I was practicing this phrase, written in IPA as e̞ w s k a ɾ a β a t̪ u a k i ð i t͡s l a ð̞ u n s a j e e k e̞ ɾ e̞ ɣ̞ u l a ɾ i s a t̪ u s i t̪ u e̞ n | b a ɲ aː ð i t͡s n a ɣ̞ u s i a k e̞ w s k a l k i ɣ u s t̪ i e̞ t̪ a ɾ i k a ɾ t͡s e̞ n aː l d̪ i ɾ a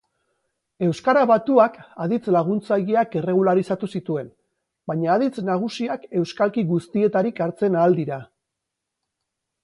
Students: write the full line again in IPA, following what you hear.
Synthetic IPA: e̞ w s k a ɾ a β a t̪ u a k a ð i t͡s l a ɣ̞ u n t͡s a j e a k e̞ r e̞ ɣ̞ u l a ɾ i s a t̪ u s i t̪ u e̞ n | b a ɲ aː ð i t͡s n a ɣ̞ u s i a k e̞ w s k a l k i ɣ u s t̪ i e̞ t̪ a ɾ i k a ɾ t͡s e̞ n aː l d̪ i ɾ a